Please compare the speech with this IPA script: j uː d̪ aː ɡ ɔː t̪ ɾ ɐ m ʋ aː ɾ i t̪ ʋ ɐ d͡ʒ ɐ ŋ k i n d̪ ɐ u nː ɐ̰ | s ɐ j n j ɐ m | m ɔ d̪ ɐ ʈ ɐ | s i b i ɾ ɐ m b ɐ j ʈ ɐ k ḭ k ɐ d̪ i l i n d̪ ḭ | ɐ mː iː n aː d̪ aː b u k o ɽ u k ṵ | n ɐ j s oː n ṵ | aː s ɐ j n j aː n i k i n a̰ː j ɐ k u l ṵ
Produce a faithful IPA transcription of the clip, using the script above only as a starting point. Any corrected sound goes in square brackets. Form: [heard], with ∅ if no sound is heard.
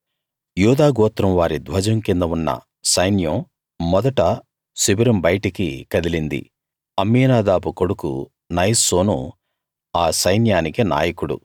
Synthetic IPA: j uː d̪ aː ɡ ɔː t̪ ɾ ɐ m ʋ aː ɾ i [d̪] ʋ ɐ d͡ʒ ɐ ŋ k i n d̪ ɐ u nː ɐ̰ | s ɐ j n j ɐ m | m ɔ d̪ ɐ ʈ ɐ | s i b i ɾ ɐ m b ɐ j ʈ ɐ k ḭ k ɐ d̪ i l i n d̪ ḭ | ɐ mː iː n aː d̪ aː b u k o ɽ u k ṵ | n ɐ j s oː n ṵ | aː s ɐ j n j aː n i k i n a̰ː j ɐ k u [ɽ] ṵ

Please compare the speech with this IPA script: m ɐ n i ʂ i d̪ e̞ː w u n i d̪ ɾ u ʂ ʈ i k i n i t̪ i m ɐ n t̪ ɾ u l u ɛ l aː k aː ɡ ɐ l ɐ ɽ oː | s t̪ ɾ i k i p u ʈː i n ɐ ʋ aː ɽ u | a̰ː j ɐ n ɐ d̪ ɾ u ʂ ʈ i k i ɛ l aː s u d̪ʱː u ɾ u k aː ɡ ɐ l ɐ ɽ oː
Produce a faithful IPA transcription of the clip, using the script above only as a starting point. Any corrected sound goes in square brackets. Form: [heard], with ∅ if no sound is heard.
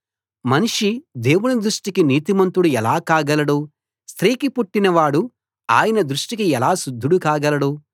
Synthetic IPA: m ɐ n i ʂ i d̪ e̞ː w u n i d̪ ɾ u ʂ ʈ i k i n [iː] t̪ i m ɐ n t̪ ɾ u [ɽ] u ɛ l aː k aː ɡ ɐ l ɐ ɽ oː | s t̪ ɾ [iː] k i p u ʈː i n ɐ ʋ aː ɽ u | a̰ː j ɐ n ɐ d̪ ɾ u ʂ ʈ i k i ɛ l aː s u d̪ʱː u [ɽ] u k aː ɡ ɐ l ɐ ɽ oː

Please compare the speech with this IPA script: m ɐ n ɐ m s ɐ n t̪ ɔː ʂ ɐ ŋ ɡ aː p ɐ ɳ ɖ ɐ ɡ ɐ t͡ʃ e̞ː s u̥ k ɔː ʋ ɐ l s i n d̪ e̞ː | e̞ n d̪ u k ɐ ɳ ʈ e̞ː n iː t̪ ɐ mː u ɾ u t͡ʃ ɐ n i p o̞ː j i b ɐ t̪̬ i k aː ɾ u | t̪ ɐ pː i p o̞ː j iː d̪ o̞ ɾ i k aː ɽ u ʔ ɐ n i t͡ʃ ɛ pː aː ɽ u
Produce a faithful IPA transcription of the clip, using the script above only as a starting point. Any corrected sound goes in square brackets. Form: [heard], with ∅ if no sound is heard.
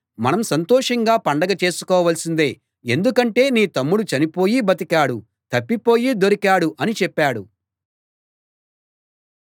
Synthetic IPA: m ɐ n ɐ m s ɐ n t̪ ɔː ʂ ɐ ŋ ɡ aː p ɐ ɳ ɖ ɐ ɡ ɐ t͡ʃ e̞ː s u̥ k ɔː ʋ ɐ l s i n d̪ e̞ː | e̞ n d̪ u k ɐ ɳ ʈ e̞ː n iː t̪ ɐ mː u [ɽ] u t͡ʃ ɐ n i p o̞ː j i b ɐ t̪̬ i k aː [ɽ] u | t̪ ɐ pː i p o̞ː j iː d̪ o̞ ɾ i k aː ɽ u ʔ ɐ n i t͡ʃ ɛ pː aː ɽ u

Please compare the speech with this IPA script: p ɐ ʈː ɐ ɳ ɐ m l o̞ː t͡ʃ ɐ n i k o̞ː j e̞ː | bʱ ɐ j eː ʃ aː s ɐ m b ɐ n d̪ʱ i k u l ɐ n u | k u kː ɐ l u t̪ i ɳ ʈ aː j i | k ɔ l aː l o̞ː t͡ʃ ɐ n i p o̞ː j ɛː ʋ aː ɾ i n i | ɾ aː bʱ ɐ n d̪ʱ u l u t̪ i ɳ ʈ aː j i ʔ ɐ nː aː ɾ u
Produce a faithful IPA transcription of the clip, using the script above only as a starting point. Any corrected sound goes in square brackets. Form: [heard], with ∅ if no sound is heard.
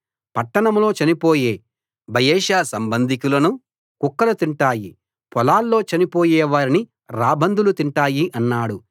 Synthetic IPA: p ɐ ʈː ɐ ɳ ɐ m l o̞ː t͡ʃ ɐ n i [p] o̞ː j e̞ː | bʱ ɐ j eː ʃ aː s ɐ m b ɐ n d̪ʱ i k u l ɐ n u | k u kː ɐ l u t̪ i ɳ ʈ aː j i | [p] ɔ l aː [lː] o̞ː t͡ʃ ɐ n i p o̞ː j ɛː ʋ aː ɾ i n i | ɾ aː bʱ ɐ n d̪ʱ u l u t̪ i ɳ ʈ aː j i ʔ ɐ nː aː [ɽ] u

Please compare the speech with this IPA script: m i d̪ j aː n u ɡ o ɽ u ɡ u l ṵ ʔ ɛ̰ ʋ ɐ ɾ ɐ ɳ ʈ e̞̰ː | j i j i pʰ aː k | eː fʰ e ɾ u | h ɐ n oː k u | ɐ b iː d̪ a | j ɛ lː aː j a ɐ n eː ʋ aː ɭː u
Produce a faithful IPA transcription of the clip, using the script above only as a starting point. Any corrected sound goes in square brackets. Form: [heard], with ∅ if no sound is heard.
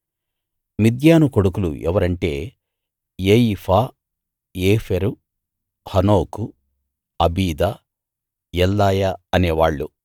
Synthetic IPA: m i d̪ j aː n u [k] o ɽ u [k] u l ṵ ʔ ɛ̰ ʋ ɐ ɾ ɐ ɳ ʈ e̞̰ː | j [e] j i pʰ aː [∅] | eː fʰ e ɾ u | h ɐ n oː k u | ɐ b iː d̪ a | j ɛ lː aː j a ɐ n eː ʋ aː ɭː u

